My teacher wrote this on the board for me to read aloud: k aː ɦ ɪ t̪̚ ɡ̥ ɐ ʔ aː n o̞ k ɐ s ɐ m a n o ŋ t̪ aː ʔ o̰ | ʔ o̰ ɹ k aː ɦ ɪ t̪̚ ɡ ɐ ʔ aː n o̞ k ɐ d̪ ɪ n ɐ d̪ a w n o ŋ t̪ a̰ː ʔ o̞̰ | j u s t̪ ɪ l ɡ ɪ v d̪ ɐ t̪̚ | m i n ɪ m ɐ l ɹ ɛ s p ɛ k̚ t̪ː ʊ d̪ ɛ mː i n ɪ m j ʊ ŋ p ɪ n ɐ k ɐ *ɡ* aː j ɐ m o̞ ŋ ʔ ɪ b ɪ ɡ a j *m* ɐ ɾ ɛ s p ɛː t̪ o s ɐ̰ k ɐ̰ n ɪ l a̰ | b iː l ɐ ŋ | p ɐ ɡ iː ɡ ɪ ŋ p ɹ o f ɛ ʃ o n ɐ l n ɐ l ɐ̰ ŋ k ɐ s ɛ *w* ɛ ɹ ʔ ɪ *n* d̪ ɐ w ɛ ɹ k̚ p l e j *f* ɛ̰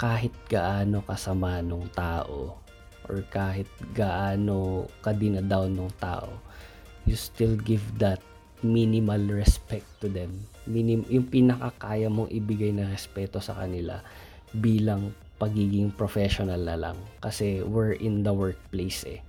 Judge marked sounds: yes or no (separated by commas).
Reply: no, no, yes, yes, no